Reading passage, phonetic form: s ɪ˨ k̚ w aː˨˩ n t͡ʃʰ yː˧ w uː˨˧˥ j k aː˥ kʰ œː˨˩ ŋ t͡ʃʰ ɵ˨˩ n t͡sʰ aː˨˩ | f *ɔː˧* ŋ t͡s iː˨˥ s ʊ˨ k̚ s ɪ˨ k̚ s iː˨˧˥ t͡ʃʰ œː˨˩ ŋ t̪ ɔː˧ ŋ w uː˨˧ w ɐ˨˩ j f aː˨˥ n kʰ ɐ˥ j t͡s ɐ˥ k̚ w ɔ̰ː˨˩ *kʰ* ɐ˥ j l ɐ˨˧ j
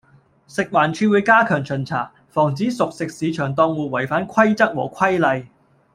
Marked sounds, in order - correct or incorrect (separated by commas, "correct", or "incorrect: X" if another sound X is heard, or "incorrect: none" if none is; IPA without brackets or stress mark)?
incorrect: ɔː˨˩, correct